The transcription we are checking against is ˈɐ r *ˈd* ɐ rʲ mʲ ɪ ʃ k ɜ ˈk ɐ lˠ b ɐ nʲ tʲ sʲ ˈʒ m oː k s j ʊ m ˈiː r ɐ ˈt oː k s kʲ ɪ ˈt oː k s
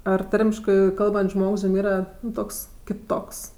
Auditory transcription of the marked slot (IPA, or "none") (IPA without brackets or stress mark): t